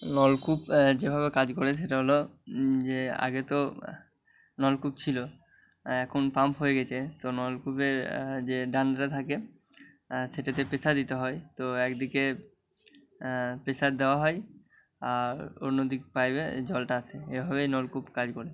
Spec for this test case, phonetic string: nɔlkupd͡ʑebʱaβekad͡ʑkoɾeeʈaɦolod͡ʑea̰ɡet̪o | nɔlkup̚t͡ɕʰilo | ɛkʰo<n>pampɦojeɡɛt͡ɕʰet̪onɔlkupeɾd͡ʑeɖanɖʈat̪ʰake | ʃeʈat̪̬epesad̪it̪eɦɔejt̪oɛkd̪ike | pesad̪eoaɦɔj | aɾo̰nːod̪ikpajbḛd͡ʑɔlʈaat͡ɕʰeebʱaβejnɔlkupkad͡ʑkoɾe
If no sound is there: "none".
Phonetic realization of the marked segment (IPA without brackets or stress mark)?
n